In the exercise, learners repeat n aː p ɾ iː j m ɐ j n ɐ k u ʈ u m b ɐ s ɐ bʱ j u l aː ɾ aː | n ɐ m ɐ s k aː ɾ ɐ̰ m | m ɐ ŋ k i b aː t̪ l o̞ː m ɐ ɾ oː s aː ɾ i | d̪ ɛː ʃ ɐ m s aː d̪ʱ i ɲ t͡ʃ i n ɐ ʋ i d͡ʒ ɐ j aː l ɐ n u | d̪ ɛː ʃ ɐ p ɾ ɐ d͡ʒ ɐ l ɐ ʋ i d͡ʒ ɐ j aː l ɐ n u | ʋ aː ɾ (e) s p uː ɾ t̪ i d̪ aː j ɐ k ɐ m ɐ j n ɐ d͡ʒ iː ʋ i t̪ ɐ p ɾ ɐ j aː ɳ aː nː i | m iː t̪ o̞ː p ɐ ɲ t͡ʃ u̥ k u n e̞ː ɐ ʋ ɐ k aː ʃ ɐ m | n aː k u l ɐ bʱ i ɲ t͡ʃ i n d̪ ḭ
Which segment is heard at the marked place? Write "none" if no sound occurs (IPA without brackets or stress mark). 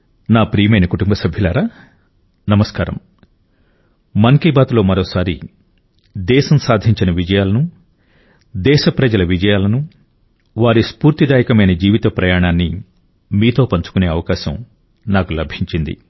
i